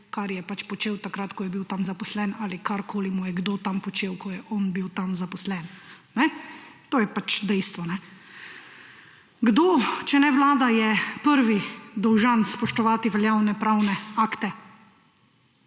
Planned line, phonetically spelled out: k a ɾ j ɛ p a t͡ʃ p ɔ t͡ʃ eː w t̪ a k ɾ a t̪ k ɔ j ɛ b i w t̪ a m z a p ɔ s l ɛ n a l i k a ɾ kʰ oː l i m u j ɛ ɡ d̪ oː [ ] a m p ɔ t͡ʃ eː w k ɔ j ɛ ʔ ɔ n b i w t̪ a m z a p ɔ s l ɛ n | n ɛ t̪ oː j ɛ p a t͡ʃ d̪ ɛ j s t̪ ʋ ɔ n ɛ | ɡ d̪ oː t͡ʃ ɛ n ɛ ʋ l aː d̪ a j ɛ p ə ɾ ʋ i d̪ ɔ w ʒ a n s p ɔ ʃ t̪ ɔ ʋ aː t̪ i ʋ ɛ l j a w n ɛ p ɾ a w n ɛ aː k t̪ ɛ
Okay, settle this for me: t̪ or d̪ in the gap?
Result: t̪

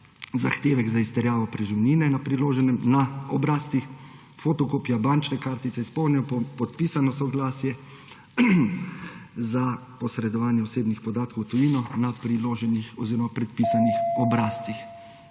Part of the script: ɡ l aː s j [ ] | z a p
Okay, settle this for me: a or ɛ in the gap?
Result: ɛ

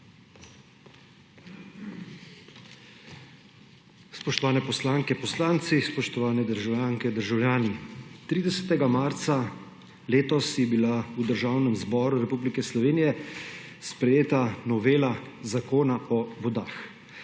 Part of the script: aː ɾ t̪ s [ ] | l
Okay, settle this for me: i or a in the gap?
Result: a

